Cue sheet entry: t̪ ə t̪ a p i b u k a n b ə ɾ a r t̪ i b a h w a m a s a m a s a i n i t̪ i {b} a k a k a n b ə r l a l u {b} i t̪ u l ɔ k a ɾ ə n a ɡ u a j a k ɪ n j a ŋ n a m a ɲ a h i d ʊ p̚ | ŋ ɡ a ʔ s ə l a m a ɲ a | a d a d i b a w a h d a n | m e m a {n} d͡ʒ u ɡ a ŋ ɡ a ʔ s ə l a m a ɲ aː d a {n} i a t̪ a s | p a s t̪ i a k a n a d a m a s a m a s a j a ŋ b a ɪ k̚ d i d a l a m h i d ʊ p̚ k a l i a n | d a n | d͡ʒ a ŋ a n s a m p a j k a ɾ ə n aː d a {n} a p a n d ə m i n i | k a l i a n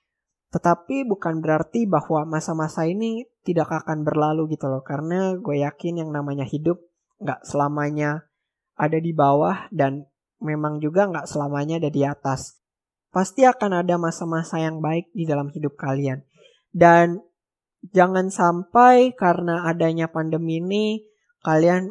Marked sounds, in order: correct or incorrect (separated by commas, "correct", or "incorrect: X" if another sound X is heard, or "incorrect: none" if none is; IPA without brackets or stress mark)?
incorrect: d, incorrect: ɡ, incorrect: ŋ, incorrect: d, incorrect: ɲ